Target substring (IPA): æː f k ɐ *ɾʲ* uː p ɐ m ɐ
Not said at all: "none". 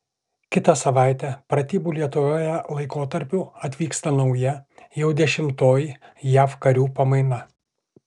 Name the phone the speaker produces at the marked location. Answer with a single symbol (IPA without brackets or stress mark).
ɾʲ